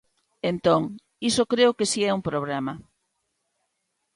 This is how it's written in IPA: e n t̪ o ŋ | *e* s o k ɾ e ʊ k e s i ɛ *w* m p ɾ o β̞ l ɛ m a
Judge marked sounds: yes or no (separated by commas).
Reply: no, no